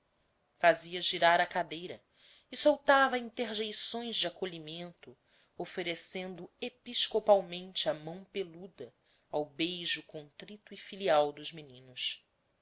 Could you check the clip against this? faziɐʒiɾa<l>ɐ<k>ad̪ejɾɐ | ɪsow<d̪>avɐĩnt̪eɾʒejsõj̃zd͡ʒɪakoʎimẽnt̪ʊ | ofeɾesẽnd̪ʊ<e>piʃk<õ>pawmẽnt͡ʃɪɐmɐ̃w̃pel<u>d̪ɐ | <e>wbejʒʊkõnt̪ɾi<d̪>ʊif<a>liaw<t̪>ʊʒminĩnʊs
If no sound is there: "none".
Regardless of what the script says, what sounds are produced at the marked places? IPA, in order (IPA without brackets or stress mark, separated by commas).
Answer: ɾ, k, t̪, e, o, u, a, t̪, i, d̪